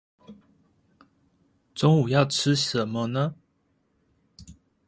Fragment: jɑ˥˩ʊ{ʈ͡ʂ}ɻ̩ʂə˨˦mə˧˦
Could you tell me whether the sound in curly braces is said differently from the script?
yes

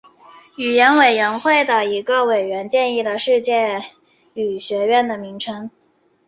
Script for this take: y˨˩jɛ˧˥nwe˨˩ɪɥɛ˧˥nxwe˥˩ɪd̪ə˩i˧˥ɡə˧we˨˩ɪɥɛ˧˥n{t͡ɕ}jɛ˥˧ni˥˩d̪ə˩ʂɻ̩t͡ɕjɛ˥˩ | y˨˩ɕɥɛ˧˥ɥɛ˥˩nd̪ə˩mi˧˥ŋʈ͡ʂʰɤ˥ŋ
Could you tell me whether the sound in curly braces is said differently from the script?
no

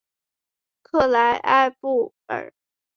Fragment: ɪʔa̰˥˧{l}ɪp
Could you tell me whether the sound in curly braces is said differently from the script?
yes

